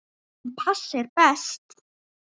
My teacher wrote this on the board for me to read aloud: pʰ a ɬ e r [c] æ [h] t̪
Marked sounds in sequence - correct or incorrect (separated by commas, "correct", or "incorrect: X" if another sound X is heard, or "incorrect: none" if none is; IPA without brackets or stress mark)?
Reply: incorrect: p, incorrect: s